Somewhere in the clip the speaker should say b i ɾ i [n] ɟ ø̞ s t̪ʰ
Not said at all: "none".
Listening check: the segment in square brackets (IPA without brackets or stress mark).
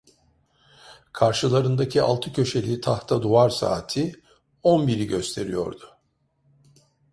none